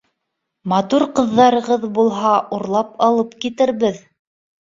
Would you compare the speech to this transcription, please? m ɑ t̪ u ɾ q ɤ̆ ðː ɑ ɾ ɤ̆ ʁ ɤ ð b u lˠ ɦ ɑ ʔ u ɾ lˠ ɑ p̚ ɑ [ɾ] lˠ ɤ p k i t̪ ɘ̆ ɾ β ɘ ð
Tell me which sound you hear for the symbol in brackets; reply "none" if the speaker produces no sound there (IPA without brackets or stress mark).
none